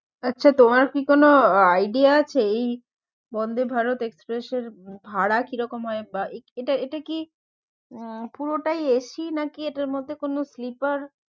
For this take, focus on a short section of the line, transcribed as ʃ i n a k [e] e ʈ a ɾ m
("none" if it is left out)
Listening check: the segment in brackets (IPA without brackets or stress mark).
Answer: i